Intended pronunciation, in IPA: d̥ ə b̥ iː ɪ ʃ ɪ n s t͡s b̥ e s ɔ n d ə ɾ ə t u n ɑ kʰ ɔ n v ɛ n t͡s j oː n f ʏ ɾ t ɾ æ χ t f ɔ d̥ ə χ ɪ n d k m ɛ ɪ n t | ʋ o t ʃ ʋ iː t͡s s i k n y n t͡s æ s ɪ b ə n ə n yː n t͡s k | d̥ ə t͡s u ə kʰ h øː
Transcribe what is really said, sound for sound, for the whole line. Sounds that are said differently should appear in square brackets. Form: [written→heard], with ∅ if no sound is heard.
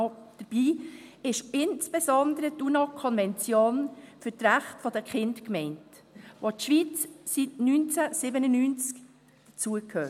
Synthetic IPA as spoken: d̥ ə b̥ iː ɪ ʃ ɪ n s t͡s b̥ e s ɔ n d ə ɾ ə t u n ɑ kʰ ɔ n v ɛ n t͡s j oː n f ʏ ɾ t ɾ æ χ t f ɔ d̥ ə χ ɪ n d k m ɛ ɪ n t | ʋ o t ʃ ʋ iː t͡s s i [k→t] n y n t͡s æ s ɪ b ə n ə n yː n t͡s k | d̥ ə t͡s u ə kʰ h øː

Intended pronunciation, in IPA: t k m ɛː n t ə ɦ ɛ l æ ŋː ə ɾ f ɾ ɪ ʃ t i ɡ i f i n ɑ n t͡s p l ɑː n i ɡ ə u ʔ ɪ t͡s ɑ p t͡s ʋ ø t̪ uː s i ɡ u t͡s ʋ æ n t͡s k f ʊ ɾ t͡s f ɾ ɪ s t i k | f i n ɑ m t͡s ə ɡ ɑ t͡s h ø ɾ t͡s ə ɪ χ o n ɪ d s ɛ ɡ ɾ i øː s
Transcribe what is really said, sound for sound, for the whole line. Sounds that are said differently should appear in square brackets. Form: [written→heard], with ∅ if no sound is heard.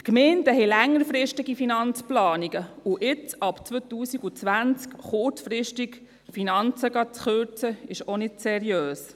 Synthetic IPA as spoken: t k m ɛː n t ə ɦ ɛ l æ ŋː ə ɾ f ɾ ɪ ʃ t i ɡ i f i n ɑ n t͡s p l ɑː n i ɡ ə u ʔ ɪ t͡s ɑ p t͡s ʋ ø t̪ uː s i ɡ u t͡s ʋ æ n t͡s k [f→χ] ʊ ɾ t͡s f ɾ ɪ [s→ʃ] t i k | f i n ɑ [m→n] t͡s ə ɡ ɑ t͡s [h→χ] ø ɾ t͡s ə ɪ [χ→ʃ] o n ɪ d s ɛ [ɡ→∅] ɾ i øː s

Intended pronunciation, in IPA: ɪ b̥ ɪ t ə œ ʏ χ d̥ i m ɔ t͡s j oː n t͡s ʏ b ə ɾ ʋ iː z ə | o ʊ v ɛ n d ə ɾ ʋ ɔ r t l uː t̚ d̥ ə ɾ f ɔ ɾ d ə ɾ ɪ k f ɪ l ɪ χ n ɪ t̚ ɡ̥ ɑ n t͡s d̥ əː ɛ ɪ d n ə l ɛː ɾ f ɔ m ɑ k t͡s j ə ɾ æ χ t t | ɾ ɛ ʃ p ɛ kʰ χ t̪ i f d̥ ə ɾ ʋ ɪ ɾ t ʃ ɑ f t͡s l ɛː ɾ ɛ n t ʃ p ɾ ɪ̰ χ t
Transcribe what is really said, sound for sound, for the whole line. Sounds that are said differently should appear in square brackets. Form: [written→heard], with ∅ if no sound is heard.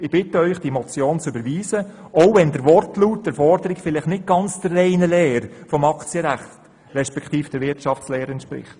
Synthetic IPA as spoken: ɪ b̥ ɪ t ə œ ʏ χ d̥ i m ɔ t͡s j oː n t͡s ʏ b ə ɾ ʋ iː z ə | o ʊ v ɛ n d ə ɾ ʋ ɔ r t l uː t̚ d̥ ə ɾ f ɔ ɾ d ə ɾ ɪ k f ɪ l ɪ χ n ɪ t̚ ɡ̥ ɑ n t͡s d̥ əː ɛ ɪ [d→∅] n ə l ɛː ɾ f ɔ m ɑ k t͡s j ə ɾ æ χ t t | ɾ ɛ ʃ p ɛ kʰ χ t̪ [i→iː] f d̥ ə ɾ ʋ ɪ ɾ t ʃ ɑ f t͡s l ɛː ɾ ɛ n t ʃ p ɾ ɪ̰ χ t

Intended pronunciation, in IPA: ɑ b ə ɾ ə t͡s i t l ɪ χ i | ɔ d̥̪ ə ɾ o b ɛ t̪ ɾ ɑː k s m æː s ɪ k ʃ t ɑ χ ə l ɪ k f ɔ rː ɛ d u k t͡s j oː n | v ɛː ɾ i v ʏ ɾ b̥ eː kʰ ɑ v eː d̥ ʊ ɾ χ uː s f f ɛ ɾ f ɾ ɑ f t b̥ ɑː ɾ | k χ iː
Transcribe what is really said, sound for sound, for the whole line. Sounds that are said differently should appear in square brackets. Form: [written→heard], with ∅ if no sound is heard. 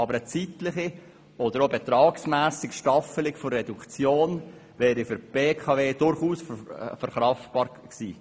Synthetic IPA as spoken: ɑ b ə ɾ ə t͡s i t l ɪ χ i | ɔ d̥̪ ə ɾ o b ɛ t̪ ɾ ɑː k s m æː s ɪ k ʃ t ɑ [χ→f] ə l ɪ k f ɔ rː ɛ d u k t͡s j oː n | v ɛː ɾ i [v→f] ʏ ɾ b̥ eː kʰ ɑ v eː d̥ ʊ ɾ χ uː s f f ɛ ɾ [f→χ] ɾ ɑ f t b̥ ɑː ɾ | k [χ→s] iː

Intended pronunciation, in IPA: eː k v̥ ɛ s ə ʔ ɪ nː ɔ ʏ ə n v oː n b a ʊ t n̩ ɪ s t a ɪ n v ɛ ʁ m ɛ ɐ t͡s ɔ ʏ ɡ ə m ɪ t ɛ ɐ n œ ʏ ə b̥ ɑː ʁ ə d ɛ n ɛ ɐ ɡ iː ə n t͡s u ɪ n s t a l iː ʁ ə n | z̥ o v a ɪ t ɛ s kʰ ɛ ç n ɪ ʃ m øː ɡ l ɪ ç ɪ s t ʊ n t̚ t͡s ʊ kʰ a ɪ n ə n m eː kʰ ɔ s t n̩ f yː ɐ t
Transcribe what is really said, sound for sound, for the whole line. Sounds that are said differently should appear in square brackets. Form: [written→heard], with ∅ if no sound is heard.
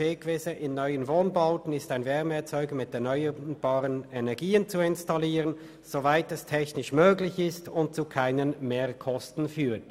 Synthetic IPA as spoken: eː k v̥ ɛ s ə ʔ ɪ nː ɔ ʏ ə n v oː n b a ʊ t n̩ ɪ s t a ɪ n v ɛ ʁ m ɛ ɐ t͡s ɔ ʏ ɡ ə m ɪ t ɛ ɐ n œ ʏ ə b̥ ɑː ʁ ə [d→n] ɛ n ɛ ɐ ɡ iː ə n t͡s u ɪ n s t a l iː ʁ ə n | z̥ o v a ɪ t ɛ s [kʰ→tʰ] ɛ ç n ɪ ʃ m øː ɡ l ɪ ç ɪ s t ʊ n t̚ t͡s [ʊ→u] kʰ a ɪ n ə n m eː kʰ ɔ s t n̩ f yː ɐ t

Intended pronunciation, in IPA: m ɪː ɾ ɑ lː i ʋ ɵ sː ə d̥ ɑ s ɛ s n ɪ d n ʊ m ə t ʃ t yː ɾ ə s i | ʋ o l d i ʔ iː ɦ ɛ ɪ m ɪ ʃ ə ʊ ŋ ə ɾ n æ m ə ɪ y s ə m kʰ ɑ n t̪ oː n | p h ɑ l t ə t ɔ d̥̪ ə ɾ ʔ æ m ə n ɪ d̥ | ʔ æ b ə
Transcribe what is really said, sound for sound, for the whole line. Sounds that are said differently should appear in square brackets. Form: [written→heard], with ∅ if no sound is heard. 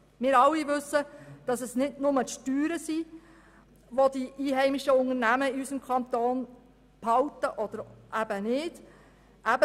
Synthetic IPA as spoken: m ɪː ɾ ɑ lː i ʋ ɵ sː ə d̥ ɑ s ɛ s n ɪ d n ʊ m ə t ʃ t yː ɾ ə s i | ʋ o [l→∅] d i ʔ iː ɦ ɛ ɪ m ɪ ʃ ə ʊ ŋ ə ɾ n æ m ə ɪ y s ə m kʰ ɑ n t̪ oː n | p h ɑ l t ə [t→ʔ] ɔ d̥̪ ə ɾ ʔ æ [m→b] ə n ɪ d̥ | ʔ æ b ə

